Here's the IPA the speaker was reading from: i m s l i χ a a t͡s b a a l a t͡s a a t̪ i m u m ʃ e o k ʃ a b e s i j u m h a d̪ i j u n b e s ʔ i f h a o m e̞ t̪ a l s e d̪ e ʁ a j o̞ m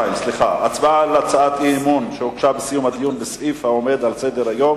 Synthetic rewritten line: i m s l i χ a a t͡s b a a l a t͡s a a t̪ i m u n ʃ e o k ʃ a b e s i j u m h a d̪ i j u n b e s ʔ i f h a o m e̞ d̪ a l s e d̪ e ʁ a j o̞ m